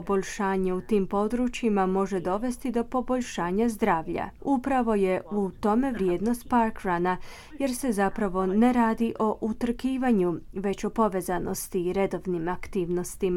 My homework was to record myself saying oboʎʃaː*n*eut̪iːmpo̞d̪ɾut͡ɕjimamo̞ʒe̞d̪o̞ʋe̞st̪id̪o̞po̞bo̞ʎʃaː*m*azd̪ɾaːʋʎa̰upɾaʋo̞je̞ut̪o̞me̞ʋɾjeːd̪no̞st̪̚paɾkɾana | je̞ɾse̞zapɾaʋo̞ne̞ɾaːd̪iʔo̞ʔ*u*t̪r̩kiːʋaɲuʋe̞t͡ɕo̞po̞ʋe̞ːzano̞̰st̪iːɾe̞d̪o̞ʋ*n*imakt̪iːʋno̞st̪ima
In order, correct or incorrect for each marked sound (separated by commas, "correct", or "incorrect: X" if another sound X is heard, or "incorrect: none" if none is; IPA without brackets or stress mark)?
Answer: incorrect: ɲ, incorrect: ɲ, correct, correct